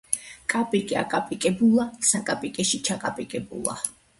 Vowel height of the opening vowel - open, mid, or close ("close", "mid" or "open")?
open